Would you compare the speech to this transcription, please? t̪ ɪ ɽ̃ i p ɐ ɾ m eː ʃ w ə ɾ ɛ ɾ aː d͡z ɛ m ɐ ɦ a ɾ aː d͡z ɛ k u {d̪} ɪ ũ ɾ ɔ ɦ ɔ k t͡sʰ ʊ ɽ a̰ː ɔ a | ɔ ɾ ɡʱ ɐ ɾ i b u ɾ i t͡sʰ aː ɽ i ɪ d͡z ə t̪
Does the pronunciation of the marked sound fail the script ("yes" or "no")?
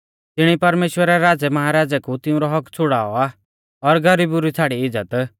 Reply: yes